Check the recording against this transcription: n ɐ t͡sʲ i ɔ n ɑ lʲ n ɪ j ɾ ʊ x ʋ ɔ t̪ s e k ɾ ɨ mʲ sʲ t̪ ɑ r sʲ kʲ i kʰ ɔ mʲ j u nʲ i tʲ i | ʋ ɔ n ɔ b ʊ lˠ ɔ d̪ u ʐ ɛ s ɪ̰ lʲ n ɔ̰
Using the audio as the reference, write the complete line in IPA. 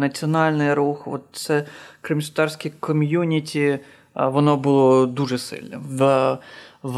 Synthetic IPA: n ɐ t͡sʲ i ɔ n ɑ lʲ n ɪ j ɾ u x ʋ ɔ t̪ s ɛ k ɾ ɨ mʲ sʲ t̪ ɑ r sʲ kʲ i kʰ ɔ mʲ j u nʲ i tʲ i | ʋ ɔ n ɔ b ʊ lˠ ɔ d̪ u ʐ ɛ s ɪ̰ lʲ n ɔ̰